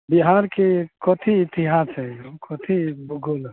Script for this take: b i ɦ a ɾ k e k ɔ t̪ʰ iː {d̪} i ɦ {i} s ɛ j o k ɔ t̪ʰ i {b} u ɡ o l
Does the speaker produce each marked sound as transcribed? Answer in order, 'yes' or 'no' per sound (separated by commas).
no, no, yes